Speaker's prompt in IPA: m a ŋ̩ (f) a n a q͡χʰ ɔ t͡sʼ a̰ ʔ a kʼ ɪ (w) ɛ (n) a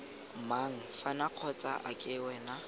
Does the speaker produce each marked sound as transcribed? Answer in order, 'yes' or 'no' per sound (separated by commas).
yes, yes, yes